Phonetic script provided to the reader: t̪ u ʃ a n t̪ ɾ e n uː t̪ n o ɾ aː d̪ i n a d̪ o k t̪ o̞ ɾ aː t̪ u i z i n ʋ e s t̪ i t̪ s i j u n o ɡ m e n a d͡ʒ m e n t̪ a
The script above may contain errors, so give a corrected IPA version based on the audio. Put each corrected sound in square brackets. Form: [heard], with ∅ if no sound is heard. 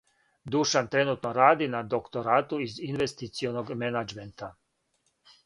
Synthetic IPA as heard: [d̪] u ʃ a n t̪ ɾ e n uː t̪ n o ɾ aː d̪ i n a d̪ o k t̪ o̞ ɾ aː t̪ u i z i n ʋ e s t̪ i t̪ s i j [o] n o ɡ m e n a d͡ʒ m e n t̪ a